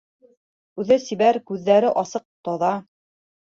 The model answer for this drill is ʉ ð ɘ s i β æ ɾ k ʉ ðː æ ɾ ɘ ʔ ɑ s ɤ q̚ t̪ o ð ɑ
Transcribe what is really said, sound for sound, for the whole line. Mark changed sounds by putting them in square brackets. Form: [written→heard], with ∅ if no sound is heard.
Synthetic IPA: ʉ ð ɘ s i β æ ɾ k ʉ ðː æ ɾ ɘ ʔ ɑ s ɤ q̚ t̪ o ð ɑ